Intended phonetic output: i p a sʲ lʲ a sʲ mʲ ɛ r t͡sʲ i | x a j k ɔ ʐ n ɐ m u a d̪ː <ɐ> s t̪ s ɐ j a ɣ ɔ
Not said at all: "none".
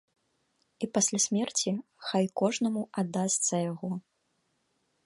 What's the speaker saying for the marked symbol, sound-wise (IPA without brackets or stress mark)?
a